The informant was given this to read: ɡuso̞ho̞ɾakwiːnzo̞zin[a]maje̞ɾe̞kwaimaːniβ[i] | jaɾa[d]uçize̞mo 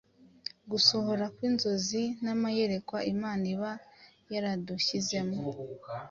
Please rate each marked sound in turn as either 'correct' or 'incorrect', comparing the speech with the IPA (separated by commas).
correct, incorrect, correct